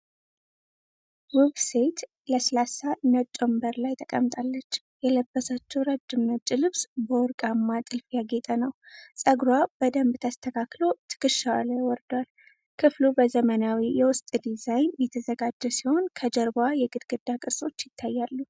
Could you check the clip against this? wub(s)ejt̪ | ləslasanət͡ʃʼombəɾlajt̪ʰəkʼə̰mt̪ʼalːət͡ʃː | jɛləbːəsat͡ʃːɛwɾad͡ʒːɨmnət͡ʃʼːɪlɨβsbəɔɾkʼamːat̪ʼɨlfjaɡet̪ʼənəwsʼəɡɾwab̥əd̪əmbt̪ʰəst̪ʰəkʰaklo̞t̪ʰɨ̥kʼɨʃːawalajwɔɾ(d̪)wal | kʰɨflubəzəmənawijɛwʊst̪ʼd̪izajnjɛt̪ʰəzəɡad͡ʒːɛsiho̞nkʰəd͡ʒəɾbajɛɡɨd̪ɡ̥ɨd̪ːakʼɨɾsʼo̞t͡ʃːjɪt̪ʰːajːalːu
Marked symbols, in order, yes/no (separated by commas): yes, yes